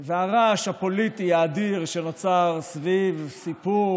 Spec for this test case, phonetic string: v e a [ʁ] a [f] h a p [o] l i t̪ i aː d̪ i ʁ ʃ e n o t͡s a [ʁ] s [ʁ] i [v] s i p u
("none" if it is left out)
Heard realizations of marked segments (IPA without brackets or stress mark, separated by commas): ʁ, ʃ, o, ʁ, v, v